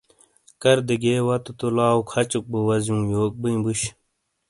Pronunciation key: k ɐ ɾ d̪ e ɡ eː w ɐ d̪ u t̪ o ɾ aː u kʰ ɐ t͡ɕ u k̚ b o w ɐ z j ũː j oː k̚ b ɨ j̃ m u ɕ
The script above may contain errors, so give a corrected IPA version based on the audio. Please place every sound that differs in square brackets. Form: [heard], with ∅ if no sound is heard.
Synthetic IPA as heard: k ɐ ɾ d̪ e ɡ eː w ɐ [t̪] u t̪ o [l] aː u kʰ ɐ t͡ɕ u k̚ b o w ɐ z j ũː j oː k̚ b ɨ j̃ [b] u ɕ